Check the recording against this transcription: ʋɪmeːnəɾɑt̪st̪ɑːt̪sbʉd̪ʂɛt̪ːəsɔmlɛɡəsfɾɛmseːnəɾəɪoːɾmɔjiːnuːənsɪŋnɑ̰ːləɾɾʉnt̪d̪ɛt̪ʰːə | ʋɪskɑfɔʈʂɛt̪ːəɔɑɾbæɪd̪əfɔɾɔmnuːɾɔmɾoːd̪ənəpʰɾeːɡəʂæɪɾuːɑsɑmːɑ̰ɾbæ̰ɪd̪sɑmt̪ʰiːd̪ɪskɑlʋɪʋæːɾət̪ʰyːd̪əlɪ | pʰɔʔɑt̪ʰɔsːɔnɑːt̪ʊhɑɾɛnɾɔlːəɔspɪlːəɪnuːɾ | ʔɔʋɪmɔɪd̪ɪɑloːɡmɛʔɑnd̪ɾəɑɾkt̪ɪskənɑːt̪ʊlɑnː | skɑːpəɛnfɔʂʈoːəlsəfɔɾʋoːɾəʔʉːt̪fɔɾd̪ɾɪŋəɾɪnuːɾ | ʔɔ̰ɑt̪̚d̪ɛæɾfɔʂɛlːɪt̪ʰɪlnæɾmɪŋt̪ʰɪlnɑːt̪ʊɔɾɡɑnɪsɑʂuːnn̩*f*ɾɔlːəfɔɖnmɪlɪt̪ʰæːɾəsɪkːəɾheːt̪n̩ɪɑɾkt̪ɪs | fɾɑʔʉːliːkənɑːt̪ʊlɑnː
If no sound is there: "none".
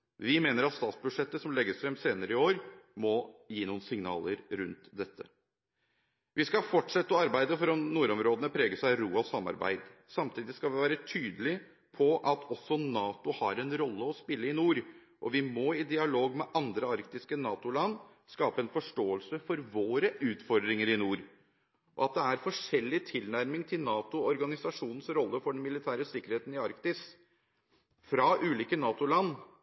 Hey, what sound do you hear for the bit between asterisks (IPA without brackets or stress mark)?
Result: s